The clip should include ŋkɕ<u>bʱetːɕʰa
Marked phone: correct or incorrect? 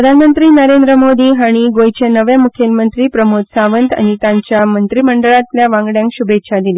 correct